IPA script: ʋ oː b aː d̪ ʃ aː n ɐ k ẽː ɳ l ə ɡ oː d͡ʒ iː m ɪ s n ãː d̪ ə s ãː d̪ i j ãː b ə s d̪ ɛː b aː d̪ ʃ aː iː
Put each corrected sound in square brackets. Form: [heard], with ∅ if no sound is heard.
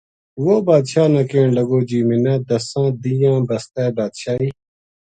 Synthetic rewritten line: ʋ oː b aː d̪ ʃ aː n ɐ k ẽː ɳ l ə ɡ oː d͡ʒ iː m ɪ [∅] n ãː d̪ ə s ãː d̪ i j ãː b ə s [t̪] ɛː b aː d̪ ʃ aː iː

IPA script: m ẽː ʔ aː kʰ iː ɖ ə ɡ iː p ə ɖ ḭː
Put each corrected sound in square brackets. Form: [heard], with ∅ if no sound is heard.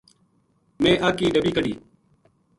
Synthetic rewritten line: m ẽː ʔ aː [k] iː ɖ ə [b] iː [k] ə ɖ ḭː

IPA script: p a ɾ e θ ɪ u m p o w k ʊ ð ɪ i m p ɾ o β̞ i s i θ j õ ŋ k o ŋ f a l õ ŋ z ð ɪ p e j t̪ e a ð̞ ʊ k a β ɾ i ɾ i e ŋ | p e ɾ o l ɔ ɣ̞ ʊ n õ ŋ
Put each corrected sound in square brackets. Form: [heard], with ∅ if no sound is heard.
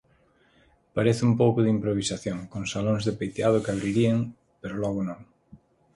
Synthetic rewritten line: p a ɾ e θ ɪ u m p o w k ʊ ð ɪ i m p ɾ o β̞ i s [a] θ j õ ŋ k o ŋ [s] a l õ ŋ z ð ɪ p e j t̪ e a ð̞ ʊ k a β ɾ i ɾ i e ŋ | p e ɾ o l ɔ ɣ̞ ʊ n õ ŋ

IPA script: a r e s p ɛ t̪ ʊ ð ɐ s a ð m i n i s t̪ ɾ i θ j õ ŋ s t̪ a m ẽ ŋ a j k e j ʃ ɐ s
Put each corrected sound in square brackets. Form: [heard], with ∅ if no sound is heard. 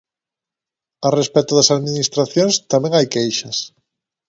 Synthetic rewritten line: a r e s p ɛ t̪ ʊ ð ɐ s a ð m i n i s t̪ ɾ [a] θ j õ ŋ s t̪ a m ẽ ŋ a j k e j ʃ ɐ s

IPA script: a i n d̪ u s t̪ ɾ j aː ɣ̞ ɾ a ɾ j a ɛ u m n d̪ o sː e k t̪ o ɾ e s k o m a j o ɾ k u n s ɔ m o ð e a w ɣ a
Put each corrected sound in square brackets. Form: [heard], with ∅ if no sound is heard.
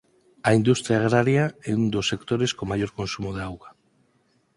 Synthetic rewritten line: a i n d̪ u s t̪ ɾ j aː ɣ̞ ɾ a ɾ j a ɛ u [∅] n d̪ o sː e k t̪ o ɾ e s k o m a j o ɾ k [o] n s [u] m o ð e a w ɣ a

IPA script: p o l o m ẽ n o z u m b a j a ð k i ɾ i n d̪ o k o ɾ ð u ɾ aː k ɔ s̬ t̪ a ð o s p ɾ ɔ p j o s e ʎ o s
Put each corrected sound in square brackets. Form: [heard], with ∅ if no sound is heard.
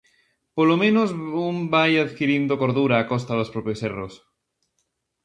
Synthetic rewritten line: p o l o m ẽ n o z u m b a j a ð k i ɾ i n d̪ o k o ɾ ð u ɾ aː k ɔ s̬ t̪ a ð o s p ɾ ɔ p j o s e [r] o s

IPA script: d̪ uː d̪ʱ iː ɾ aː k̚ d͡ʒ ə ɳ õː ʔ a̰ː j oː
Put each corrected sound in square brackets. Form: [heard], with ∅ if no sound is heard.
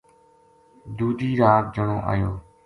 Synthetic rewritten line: d̪ uː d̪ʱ iː ɾ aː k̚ d͡ʒ ə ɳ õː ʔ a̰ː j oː

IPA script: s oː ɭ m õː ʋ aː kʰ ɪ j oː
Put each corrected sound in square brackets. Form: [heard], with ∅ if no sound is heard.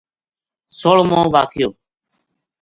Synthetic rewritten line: s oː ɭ m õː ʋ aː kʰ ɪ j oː

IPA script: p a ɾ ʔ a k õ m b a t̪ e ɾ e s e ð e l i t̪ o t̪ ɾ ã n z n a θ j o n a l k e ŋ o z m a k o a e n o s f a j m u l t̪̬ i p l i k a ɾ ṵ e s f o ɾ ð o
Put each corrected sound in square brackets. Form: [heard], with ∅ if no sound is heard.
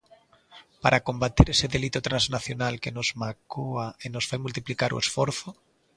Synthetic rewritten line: p a ɾ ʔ a k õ m b a t̪ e ɾ e s e ð e l i t̪ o t̪ ɾ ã n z n a θ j o n a l k e [n] o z m a k o a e n o s f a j m u l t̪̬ i p l i k a ɾ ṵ e s f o ɾ [θ] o

